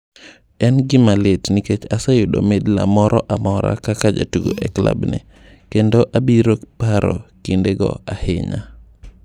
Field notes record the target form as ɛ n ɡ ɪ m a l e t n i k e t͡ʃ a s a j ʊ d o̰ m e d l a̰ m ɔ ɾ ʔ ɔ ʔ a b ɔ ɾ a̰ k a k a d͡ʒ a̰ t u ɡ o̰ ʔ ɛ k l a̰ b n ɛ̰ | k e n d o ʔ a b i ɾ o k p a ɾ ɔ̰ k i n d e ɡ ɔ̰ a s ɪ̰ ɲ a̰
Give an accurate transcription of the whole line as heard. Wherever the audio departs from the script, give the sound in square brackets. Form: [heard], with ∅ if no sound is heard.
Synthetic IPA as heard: ɛ n ɡ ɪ m a l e t n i k e t͡ʃ a s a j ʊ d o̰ m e d l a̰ m ɔ ɾ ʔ ɔ ʔ a [m] ɔ ɾ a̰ k a k a d͡ʒ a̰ t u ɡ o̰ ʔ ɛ k l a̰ b n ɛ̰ | k e n d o ʔ a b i ɾ o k p a ɾ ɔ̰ k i n d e ɡ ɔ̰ a [h] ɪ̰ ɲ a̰